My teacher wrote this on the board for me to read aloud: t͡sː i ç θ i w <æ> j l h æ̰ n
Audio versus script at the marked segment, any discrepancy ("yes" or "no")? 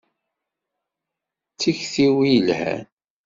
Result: yes